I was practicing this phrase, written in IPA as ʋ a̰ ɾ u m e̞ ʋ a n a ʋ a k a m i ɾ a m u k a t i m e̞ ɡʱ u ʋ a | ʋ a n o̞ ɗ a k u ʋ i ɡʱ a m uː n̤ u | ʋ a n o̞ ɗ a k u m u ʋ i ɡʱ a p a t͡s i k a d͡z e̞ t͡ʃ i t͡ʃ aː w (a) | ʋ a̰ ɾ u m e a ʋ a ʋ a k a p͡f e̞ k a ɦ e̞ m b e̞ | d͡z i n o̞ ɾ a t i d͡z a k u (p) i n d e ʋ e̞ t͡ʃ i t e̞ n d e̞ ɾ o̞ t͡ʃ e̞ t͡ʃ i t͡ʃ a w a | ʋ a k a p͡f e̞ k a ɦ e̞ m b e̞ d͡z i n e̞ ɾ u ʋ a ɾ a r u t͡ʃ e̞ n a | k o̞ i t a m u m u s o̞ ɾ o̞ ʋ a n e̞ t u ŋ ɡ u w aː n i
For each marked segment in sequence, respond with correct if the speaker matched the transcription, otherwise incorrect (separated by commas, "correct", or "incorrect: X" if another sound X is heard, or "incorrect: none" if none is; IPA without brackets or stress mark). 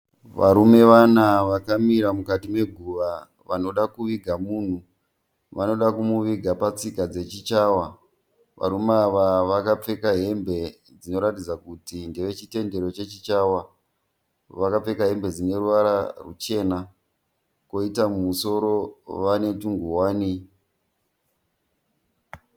correct, incorrect: t